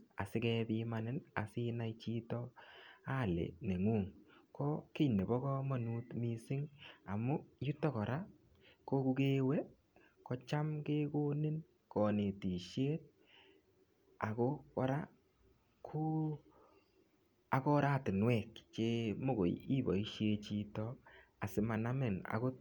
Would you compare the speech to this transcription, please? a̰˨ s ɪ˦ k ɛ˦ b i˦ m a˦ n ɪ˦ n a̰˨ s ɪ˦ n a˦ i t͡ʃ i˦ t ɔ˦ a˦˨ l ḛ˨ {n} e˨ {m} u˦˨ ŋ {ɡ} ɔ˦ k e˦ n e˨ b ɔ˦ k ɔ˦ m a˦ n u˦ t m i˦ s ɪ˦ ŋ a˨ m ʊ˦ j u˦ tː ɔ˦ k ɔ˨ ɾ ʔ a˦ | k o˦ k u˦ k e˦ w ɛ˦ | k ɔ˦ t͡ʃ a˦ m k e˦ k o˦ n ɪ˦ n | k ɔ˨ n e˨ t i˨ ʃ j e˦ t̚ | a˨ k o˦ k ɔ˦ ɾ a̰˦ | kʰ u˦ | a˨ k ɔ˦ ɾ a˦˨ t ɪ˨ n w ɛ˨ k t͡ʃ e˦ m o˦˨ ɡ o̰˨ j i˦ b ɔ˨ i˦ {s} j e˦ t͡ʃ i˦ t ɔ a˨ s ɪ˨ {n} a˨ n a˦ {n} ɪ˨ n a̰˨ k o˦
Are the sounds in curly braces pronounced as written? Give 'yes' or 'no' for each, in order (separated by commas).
yes, no, no, no, no, no